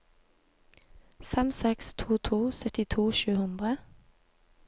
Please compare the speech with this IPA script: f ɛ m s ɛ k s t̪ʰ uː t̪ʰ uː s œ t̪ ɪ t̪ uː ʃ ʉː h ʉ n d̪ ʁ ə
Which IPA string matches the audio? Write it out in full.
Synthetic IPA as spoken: f ɛ m s ɛ k s t̪ʰ uː t̪ʰ uː s œ t̪ ɪ t̪ʰ uː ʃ ʉː h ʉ n d̪ ʁ ə